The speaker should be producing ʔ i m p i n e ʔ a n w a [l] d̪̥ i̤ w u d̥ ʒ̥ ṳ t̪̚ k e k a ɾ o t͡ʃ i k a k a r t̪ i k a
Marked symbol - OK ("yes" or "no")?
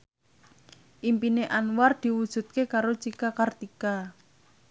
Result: no